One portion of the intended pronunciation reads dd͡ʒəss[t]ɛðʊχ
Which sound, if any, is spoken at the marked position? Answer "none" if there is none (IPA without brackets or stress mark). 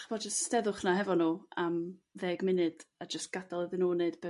t